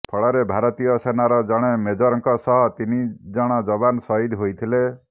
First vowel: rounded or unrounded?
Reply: rounded